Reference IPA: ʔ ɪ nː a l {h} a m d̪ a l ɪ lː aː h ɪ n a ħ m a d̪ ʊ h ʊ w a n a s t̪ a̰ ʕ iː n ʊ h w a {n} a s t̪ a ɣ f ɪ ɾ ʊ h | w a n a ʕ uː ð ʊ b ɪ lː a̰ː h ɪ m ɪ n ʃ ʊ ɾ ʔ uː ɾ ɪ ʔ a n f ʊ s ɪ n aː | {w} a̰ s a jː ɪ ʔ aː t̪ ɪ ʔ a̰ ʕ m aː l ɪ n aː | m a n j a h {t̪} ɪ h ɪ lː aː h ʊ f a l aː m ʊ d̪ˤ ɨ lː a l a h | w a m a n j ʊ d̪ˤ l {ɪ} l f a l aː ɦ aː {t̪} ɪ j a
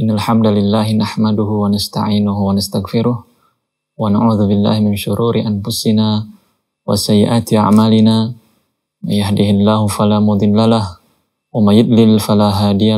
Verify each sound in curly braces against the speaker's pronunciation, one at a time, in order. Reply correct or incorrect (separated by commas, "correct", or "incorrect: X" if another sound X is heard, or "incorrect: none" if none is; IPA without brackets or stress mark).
incorrect: ħ, correct, correct, incorrect: d̪, correct, incorrect: d̪